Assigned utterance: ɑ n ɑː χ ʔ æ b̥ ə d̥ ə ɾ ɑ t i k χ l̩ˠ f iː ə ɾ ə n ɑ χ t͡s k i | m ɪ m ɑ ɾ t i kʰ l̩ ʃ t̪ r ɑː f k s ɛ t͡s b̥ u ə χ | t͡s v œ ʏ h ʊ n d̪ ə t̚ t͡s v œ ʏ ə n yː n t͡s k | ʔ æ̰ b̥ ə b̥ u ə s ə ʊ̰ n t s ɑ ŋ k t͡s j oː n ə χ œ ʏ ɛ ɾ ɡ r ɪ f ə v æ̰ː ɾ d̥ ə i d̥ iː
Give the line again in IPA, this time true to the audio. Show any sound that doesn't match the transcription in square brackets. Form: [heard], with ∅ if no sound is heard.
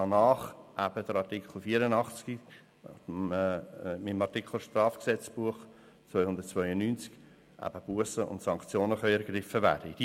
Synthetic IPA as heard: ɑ n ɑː χ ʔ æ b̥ ə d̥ ə ɾ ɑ t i k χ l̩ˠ f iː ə ɾ ə n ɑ χ t͡s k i | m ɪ m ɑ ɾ t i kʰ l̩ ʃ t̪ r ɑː f k s ɛ t͡s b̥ u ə χ | t͡s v œ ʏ h ʊ n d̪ ə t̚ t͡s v œ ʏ ə n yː n t͡s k | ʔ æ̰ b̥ ə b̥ u ə s ə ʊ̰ n t s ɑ ŋ k t͡s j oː n ə χ œ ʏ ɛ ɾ ɡ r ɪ f ə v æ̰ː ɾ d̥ ə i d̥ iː